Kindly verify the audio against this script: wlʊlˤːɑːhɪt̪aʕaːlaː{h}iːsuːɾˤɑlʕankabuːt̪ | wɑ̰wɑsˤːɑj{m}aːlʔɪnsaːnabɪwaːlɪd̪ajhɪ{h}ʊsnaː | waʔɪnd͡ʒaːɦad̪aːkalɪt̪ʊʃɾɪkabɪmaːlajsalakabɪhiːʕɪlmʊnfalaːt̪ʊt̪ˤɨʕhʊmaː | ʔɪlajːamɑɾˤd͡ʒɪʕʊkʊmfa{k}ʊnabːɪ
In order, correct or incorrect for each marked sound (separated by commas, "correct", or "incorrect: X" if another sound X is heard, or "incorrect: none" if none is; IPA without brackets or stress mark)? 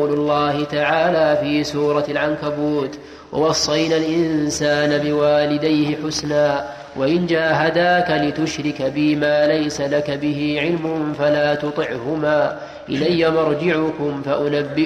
incorrect: f, incorrect: n, incorrect: ħ, incorrect: ʔ